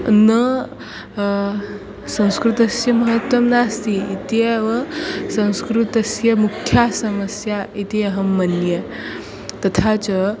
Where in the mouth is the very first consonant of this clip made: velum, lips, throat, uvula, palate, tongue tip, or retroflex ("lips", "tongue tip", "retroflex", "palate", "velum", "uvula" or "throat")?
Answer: tongue tip